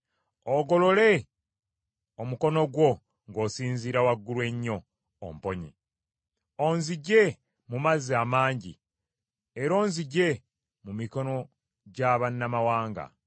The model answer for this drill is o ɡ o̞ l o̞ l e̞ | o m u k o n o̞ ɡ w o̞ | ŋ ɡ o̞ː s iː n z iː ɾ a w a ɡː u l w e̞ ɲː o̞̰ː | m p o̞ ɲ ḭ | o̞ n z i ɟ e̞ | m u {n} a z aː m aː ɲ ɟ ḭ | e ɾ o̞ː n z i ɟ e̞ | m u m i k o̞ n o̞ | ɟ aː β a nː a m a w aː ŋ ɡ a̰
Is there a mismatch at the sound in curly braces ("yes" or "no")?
yes